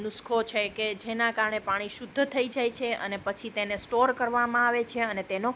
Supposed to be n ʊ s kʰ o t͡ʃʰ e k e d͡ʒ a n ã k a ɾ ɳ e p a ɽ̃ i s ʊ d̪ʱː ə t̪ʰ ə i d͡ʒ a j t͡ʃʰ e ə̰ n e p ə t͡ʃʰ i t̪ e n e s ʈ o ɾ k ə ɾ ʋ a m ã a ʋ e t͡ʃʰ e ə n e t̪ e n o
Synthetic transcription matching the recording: n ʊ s kʰ o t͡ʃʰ e k e d͡ʒ e n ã k a ɾ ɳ e p a ɽ̃ i ʃ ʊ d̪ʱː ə t̪ʰ ə i d͡ʒ a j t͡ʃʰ e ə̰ n e p ə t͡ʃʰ i t̪ e n e s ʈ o ɾ k ə ɾ ʋ a m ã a ʋ e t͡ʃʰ e ə n e t̪ e n o